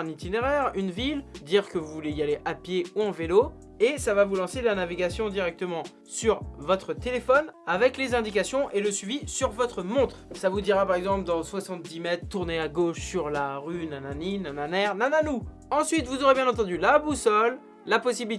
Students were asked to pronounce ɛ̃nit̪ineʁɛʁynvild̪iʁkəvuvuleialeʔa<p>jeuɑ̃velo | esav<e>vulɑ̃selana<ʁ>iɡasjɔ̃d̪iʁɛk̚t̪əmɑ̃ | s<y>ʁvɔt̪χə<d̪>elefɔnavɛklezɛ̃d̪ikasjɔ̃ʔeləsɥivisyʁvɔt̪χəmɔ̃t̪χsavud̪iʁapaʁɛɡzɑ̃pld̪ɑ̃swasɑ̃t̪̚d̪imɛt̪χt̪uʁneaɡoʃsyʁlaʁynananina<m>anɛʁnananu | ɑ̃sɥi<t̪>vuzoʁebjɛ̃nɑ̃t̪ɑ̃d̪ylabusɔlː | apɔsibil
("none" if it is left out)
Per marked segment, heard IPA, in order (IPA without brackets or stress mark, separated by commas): p, a, v, y, t̪, n, t̪